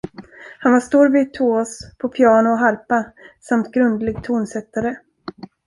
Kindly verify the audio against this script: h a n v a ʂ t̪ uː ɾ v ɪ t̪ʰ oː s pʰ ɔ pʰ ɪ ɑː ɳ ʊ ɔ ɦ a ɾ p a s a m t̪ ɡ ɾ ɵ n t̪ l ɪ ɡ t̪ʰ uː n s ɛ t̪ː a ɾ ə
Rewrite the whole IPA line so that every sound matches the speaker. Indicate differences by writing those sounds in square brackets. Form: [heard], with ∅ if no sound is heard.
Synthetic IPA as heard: h a n v a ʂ t̪ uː ɾ v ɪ t̪ʰ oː s pʰ ɔ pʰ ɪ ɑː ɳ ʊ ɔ ɦ a ɾ p a s a m t̪ ɡ ɾ ɵ n [d̪] l ɪ ɡ t̪ʰ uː n s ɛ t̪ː a ɾ ə